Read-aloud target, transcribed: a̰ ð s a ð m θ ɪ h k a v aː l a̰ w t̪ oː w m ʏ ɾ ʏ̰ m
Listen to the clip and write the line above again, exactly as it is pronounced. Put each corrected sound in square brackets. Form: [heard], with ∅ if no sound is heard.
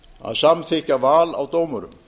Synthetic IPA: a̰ ð s a [∅] m θ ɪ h [c] a v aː l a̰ w t̪ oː w m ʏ ɾ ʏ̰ m